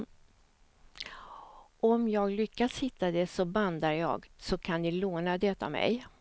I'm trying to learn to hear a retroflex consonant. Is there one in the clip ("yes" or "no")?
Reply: no